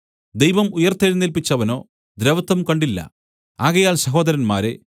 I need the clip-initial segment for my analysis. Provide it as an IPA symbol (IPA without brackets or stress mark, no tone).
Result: d̪